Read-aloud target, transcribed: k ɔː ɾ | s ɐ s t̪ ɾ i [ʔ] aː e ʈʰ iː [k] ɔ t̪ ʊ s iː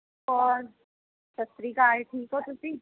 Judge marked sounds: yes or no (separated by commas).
no, yes